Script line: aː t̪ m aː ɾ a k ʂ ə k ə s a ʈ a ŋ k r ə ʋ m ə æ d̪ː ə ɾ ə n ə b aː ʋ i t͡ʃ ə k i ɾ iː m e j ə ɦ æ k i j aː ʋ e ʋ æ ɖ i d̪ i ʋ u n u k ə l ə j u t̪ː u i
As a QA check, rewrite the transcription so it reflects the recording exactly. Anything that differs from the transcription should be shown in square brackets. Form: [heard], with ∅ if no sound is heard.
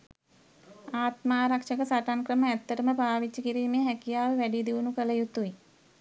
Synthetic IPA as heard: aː t̪ m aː ɾ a k ʂ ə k ə s a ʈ a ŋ k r ə [∅] m ə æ [t̪ː] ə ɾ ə [m] ə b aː ʋ i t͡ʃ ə k i ɾ iː m e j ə ɦ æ k i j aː ʋ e ʋ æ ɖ i d̪ i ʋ u n u k ə l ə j u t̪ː u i